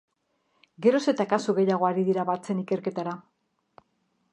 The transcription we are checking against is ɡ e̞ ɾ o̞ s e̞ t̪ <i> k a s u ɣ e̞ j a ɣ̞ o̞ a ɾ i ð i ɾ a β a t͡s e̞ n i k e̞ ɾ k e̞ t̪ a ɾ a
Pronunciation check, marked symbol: incorrect: a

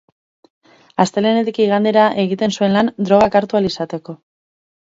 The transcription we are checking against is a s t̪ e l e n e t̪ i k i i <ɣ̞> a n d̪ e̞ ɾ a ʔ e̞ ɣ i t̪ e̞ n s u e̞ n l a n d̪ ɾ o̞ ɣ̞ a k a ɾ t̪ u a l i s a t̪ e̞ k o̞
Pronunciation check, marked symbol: correct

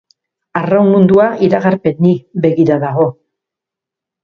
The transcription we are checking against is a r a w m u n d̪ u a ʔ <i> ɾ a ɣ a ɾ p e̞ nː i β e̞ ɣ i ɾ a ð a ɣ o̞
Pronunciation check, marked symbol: correct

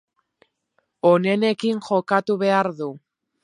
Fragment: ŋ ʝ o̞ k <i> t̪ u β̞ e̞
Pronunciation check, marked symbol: incorrect: a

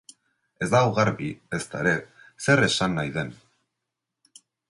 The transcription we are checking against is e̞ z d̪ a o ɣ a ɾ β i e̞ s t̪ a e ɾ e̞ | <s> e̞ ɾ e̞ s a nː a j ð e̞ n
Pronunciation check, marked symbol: correct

